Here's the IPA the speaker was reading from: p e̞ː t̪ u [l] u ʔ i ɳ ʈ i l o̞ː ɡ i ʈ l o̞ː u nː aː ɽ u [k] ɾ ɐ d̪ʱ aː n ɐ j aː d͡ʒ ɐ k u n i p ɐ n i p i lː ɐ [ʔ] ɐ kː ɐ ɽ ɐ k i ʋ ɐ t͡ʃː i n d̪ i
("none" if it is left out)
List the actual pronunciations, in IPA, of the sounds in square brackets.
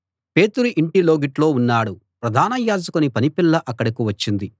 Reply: ɾ, p, ʔ

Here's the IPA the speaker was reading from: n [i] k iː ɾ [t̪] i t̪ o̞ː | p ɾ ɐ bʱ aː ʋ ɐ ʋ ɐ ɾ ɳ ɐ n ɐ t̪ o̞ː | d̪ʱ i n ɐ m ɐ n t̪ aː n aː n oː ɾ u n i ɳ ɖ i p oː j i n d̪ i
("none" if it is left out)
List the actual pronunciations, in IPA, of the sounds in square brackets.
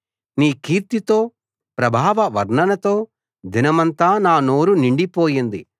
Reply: iː, t̪

